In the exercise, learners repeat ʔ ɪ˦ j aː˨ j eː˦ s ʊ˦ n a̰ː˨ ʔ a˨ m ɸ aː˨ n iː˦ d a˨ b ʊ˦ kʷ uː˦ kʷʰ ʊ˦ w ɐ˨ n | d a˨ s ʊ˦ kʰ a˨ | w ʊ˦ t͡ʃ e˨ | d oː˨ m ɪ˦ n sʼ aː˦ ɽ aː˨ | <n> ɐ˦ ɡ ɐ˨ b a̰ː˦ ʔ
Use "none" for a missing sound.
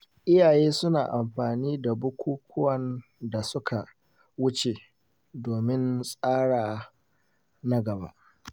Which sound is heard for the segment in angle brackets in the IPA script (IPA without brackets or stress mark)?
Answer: n